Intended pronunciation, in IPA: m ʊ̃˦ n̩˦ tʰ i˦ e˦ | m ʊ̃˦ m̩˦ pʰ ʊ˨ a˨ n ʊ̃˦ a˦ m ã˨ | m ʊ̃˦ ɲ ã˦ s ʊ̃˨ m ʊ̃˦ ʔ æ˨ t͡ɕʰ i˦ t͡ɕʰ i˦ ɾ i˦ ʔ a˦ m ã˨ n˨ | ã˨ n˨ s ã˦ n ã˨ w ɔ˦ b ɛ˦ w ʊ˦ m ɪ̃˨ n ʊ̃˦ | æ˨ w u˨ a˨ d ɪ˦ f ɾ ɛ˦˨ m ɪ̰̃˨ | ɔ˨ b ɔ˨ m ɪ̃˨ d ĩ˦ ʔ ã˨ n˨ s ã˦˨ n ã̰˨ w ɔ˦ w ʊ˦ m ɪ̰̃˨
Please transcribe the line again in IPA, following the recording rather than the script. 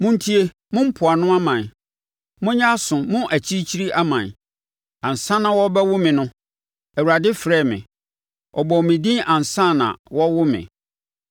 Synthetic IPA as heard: m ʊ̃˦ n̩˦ tʰ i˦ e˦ | m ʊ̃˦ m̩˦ pʰ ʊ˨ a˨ n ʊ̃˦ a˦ m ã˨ | m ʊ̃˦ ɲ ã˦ s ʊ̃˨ m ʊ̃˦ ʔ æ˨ t͡ɕʰ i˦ t͡ɕʰ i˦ ɾ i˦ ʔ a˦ m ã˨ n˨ | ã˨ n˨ s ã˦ n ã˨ w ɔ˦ b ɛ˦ w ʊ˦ m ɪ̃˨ n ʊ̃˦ | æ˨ w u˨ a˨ d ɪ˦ f ɾ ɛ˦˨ m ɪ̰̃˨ | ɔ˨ b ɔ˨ m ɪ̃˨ d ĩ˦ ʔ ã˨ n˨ s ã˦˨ n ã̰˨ w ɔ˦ w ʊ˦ m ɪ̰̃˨

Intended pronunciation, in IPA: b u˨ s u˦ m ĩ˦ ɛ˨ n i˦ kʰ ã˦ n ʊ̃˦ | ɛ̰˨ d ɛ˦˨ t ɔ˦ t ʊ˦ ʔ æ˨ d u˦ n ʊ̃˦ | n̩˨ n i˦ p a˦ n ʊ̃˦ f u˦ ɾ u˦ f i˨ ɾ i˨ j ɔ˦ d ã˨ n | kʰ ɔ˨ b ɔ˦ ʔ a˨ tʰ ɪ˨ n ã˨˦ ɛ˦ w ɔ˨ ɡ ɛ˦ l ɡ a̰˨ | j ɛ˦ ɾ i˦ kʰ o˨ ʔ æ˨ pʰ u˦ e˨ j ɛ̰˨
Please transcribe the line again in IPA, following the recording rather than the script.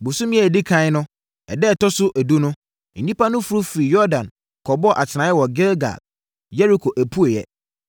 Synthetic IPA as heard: b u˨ s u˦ m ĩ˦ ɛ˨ d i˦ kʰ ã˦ n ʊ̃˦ | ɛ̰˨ d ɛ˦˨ t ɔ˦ s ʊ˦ ʔ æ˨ d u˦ n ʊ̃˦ | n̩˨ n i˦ p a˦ n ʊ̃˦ f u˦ ɾ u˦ f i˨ ɾ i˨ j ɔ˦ d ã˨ n | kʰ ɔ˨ b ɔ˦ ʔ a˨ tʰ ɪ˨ n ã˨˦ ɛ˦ w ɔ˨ ɡ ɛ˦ l ɡ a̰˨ | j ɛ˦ ɾ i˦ kʰ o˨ ʔ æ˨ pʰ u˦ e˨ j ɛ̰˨

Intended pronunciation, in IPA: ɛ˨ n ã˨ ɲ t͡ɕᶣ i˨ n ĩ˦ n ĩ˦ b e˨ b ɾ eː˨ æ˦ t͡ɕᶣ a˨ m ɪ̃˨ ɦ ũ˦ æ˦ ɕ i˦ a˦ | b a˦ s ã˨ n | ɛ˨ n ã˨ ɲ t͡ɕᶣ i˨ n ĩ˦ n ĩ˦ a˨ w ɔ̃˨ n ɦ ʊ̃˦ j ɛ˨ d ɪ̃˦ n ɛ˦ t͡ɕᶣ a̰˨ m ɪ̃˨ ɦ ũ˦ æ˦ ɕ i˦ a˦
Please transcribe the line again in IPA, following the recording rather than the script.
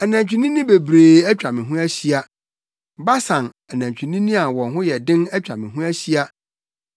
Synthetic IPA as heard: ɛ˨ n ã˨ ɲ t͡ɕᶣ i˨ n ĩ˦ n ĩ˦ b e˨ b ɾ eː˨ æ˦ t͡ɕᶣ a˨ m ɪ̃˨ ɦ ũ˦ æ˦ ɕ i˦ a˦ | b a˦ s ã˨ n | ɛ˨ n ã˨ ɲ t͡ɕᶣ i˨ n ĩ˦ n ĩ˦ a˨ w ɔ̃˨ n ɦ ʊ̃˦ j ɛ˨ d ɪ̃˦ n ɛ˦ t͡ɕᶣ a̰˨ m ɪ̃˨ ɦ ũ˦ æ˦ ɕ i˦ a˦

